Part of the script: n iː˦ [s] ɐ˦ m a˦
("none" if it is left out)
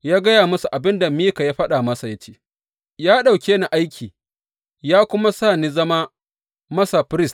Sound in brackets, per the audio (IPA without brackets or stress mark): z